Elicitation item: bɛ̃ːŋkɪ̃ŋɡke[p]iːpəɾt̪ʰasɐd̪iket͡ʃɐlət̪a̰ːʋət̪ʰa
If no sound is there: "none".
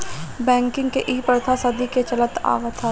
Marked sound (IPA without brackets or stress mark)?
ʔ